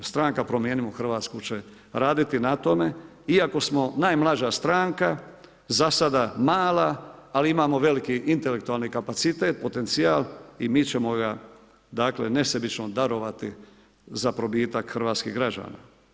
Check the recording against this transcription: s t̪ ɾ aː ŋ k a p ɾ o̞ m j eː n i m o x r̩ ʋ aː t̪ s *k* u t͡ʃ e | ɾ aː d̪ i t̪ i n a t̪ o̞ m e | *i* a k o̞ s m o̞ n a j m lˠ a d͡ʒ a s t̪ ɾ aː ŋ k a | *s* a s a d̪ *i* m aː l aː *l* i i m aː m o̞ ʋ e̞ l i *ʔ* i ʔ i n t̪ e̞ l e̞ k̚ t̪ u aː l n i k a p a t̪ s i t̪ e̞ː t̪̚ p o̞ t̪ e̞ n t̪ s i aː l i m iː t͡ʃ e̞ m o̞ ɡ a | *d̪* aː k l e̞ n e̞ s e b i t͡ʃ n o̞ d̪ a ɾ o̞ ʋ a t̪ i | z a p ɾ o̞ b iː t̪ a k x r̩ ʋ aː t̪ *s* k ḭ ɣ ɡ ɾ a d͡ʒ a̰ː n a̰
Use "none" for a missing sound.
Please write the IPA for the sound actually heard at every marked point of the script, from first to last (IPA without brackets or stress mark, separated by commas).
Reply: k, i, z, a, l, k, d̪, s